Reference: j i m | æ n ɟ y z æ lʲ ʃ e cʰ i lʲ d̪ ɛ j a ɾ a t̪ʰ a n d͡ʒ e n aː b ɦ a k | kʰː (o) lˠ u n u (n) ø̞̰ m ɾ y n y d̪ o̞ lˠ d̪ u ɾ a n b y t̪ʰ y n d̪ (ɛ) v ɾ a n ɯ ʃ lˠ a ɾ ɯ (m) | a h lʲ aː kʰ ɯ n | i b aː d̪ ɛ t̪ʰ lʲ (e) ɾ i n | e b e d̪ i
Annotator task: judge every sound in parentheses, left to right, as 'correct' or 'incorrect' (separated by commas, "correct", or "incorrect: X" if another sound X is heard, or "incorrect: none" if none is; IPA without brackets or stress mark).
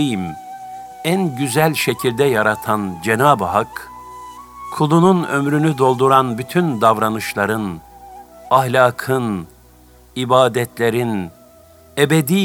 incorrect: u, correct, incorrect: a, incorrect: n, correct